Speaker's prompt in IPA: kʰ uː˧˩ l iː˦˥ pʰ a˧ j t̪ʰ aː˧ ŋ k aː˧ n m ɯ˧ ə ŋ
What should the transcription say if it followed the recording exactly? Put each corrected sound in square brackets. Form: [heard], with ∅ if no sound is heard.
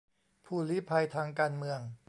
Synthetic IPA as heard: [pʰ] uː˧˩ l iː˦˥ pʰ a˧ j t̪ʰ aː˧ ŋ k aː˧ n m ɯ˧ ə ŋ